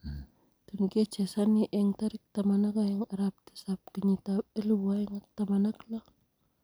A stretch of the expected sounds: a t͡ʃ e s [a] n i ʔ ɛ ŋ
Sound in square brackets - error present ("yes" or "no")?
no